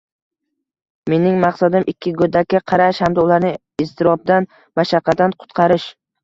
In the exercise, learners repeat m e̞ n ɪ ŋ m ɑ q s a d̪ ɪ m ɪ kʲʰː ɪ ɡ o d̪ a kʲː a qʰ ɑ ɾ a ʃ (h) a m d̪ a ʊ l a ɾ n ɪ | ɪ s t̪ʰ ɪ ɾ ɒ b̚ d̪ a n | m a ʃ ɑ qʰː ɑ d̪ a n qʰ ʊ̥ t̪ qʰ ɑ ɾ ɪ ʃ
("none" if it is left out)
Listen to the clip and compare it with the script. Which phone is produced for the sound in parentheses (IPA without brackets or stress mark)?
h